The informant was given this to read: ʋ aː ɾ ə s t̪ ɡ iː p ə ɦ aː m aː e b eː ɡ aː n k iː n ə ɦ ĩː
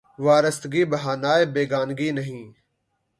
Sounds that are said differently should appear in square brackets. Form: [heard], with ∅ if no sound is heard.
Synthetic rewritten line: ʋ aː ɾ ə s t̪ ɡ iː [b] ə ɦ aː [n] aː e b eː ɡ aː n [ɡ] iː n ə ɦ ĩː

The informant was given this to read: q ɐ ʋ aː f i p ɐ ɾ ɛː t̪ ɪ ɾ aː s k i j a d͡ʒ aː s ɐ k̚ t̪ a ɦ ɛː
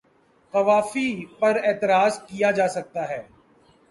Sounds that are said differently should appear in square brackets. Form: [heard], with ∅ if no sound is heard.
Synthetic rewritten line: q ɐ ʋ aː f i p ɐ ɾ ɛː t̪ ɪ ɾ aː [z] k i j a d͡ʒ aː s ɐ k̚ t̪ a ɦ ɛː

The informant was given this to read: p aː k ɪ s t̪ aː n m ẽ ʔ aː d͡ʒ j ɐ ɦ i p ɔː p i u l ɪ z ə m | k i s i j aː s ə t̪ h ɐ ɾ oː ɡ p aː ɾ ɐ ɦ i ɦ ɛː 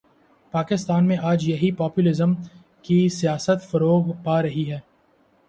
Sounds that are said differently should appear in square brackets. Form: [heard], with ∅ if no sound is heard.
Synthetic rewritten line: p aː k ɪ s t̪ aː n m ẽ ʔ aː d͡ʒ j ɐ ɦ i p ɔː p [j] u l ɪ z ə m | k i s i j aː s ə t̪ [f] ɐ ɾ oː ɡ p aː ɾ ɐ ɦ i ɦ ɛː

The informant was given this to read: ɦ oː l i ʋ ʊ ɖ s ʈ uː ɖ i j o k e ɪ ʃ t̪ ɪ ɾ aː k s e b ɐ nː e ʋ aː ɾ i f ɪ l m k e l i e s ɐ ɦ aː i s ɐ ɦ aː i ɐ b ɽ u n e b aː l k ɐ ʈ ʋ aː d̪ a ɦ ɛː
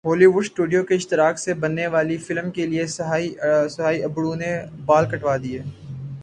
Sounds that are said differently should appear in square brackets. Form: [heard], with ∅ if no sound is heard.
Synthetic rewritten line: ɦ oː l i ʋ ʊ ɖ s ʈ uː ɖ i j o k e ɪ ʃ t̪ ɪ ɾ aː k s e b ɐ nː e ʋ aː [l] i f ɪ l m k e l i e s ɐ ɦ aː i s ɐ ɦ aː i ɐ b ɽ u n e b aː l k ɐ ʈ ʋ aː d̪ [i] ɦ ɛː

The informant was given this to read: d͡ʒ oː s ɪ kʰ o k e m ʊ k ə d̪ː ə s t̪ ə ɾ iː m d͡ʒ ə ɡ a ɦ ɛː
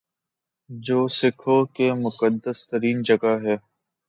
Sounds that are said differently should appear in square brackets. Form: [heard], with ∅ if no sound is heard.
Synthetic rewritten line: d͡ʒ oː s ɪ kʰ o k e m ʊ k ə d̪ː ə s t̪ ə ɾ iː [n] d͡ʒ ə ɡ a ɦ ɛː

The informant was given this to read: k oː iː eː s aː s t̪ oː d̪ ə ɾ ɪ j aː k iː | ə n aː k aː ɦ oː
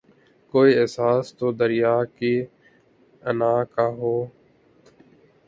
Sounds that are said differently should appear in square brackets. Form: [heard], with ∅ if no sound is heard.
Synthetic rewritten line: k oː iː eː s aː s t̪ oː d̪ ə ɾ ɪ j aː k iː | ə n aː k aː ɦ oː

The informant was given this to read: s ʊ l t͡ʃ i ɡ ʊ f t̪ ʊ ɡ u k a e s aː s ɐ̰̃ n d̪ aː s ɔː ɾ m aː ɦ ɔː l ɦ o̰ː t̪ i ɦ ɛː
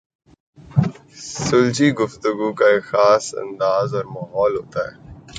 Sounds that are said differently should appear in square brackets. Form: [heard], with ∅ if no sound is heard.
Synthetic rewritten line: s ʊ l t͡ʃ i ɡ ʊ f t̪ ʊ ɡ u k a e [x] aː s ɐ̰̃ n d̪ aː [z] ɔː ɾ m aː ɦ ɔː l ɦ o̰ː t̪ [a] ɦ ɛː

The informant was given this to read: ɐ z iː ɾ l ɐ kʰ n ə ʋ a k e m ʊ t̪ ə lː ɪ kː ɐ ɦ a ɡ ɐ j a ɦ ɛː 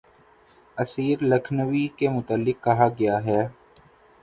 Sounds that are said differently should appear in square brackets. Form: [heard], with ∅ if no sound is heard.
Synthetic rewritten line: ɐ [s] iː ɾ l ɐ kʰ n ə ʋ [i] k e m ʊ t̪ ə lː ɪ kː ɐ ɦ a ɡ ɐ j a ɦ ɛː

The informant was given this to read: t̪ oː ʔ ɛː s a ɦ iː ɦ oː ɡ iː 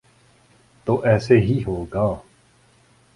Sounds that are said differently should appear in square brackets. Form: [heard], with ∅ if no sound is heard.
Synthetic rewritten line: t̪ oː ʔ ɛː s [e] ɦ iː ɦ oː ɡ [aː]

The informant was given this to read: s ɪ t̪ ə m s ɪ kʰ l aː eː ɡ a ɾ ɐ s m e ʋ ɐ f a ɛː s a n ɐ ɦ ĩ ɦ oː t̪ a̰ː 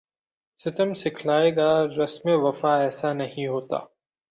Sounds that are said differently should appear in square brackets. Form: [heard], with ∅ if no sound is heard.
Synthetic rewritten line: s ɪ t̪ ə m s ɪ kʰ l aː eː ɡ a ɾ ɐ s m e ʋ ɐ f a ɛː s a n ɐ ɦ ĩ ɦ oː t̪ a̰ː

